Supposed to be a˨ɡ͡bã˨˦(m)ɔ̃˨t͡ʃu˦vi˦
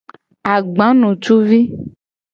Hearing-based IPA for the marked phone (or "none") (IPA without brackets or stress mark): n